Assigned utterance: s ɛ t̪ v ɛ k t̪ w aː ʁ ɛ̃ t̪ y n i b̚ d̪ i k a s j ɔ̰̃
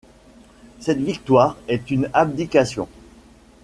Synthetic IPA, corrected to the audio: s ɛ t̪ v i k t̪ w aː ʁ ɛ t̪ y n a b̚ d̪ i k a s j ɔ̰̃